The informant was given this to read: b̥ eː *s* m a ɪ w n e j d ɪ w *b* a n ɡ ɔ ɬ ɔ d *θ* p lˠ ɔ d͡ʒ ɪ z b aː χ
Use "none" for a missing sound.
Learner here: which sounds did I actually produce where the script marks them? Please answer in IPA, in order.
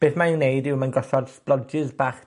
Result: θ, m, s

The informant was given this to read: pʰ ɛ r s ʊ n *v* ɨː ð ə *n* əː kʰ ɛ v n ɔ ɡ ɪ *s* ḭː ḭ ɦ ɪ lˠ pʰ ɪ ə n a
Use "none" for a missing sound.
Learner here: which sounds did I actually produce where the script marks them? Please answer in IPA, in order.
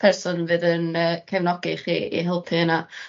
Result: v, n, χ

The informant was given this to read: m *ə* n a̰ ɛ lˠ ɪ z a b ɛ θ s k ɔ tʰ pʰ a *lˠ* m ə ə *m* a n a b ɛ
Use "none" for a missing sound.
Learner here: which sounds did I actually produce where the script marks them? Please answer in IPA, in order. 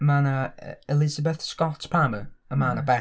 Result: a, none, m

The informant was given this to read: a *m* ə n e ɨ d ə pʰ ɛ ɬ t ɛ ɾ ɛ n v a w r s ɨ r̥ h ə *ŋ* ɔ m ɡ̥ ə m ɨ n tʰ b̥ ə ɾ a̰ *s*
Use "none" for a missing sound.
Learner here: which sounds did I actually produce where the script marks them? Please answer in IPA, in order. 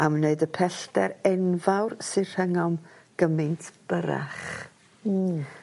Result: m, ŋ, χ

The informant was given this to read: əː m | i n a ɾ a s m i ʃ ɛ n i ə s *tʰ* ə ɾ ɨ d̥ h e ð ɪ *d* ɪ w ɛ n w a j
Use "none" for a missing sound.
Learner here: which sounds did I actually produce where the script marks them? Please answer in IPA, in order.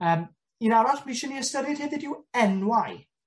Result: t, d

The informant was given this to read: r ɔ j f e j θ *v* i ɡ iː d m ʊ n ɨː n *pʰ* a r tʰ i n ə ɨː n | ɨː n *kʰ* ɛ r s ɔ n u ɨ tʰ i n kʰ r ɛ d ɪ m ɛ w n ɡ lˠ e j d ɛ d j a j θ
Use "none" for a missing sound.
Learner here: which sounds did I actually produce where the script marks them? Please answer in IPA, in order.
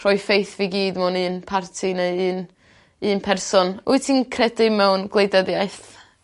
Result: v, pʰ, pʰ

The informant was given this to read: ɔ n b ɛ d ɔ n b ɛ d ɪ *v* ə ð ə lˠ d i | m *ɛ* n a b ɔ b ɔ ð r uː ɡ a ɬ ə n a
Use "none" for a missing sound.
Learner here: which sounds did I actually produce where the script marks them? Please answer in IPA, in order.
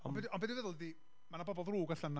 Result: v, a

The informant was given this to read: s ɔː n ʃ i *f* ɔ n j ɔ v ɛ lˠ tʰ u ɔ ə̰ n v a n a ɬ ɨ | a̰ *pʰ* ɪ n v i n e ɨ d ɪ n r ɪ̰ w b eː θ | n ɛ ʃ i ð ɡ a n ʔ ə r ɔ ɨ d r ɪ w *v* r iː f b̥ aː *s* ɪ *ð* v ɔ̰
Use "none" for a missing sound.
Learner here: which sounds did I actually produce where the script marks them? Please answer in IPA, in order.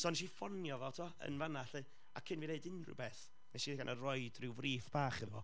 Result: f, kʰ, v, χ, ð

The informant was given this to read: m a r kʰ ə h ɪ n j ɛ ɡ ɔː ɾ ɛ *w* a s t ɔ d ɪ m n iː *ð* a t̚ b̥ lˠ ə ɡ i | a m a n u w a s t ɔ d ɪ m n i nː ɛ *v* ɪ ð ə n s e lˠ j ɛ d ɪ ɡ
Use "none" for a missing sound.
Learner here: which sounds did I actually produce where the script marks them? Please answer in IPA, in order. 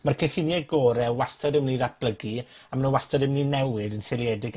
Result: w, ð, w

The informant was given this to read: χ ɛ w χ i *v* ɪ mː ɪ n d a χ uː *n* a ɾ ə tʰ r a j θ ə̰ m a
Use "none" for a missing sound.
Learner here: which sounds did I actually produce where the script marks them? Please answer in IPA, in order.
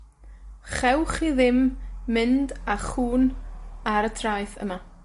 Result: ð, n

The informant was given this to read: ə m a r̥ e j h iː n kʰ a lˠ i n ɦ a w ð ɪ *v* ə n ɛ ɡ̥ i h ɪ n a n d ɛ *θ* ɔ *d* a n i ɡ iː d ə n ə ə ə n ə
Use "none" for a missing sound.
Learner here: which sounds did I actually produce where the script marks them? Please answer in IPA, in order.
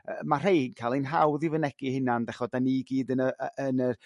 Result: v, χ, d

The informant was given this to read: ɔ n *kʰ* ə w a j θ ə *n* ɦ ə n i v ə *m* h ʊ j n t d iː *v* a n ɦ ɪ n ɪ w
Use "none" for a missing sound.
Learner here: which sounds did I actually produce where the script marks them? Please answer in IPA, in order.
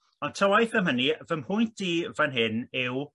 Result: tʰ, m, m, v

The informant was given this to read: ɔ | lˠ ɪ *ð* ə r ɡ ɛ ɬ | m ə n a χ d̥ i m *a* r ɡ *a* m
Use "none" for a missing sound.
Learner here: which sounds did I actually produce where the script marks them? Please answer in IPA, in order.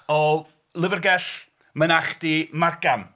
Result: v, a, a

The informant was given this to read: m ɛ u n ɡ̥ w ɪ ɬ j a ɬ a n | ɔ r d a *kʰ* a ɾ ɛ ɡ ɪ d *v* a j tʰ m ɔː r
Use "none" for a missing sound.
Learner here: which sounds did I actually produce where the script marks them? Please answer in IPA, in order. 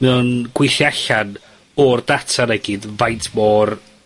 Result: tʰ, v

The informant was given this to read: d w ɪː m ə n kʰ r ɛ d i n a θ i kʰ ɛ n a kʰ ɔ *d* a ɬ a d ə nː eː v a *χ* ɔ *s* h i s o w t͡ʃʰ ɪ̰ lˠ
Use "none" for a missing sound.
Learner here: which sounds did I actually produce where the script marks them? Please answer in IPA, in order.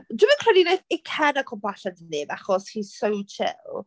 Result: b, χ, s

